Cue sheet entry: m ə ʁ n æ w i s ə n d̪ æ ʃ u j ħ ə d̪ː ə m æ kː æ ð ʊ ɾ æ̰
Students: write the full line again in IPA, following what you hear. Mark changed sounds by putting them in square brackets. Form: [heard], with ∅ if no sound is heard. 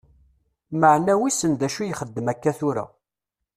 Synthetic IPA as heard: m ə [ʕ] n æ w i s ə n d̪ æ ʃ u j [χ] ə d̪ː ə m æ kː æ [θ] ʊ ɾ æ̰